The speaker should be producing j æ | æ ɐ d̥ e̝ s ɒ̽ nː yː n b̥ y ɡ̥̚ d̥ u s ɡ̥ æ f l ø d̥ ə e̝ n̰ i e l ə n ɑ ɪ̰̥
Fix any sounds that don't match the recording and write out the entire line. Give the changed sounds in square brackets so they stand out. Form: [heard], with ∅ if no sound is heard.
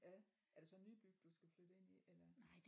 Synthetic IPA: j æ | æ ɐ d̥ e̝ s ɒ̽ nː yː [∅] b̥ y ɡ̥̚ d̥ u s ɡ̥ æ f l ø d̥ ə e̝ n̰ i e l [ɐ] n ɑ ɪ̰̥